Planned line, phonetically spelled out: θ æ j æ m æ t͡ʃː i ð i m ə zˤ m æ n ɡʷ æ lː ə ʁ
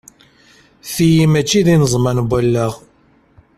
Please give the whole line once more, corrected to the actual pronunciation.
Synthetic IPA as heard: θ i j i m æ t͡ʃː i ð i n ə zˤ m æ n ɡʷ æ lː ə ʁ

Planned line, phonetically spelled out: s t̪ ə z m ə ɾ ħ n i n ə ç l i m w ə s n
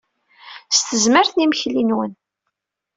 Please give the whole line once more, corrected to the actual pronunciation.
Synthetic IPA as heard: s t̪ ə z m ə ɾ θ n i m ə ç l i n w ə n

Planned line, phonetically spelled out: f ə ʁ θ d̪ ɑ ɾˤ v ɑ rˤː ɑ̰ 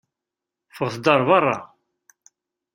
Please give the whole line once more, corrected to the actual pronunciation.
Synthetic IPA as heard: f ə ʁ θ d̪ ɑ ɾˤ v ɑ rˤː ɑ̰

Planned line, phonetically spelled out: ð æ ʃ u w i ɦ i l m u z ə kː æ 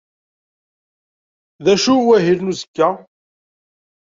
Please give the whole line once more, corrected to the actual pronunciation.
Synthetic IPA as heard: ð æ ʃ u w æ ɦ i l n u z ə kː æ

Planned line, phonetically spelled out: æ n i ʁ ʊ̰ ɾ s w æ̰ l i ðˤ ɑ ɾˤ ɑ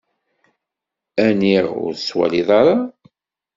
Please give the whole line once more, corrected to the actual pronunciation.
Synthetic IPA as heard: æ n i ʁ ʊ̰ ɾ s w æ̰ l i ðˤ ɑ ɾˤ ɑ

